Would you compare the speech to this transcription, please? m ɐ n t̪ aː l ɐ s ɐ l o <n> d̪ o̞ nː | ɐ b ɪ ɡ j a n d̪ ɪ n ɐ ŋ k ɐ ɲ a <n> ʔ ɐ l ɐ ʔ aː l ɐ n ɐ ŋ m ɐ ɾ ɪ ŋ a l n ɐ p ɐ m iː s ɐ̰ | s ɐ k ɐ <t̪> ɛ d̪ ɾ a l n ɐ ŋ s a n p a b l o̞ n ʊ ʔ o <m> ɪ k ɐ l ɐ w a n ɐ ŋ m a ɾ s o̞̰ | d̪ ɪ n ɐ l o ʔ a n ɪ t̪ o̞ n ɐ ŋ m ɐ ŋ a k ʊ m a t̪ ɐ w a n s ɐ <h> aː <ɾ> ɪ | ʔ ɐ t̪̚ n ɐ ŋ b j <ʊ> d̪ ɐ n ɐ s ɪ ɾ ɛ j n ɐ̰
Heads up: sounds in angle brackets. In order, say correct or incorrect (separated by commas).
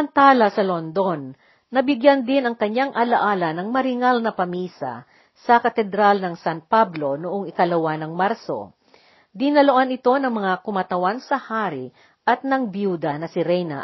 correct, incorrect, correct, incorrect, correct, correct, incorrect